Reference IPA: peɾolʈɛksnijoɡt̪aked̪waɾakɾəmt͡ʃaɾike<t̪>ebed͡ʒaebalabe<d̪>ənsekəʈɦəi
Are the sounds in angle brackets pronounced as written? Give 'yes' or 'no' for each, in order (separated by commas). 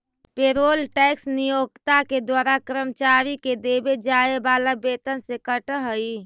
no, no